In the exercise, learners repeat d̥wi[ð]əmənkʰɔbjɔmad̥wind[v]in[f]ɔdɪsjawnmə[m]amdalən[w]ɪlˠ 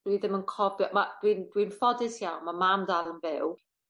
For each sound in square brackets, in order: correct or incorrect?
correct, incorrect, correct, correct, incorrect

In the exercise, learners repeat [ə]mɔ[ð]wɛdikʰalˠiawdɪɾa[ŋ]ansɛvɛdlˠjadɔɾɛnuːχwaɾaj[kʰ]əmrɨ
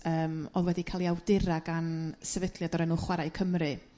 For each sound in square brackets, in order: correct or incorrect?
incorrect, correct, incorrect, correct

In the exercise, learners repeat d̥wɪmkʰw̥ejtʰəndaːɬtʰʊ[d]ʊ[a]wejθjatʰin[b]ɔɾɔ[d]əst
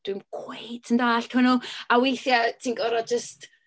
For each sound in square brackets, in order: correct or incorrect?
incorrect, correct, incorrect, incorrect

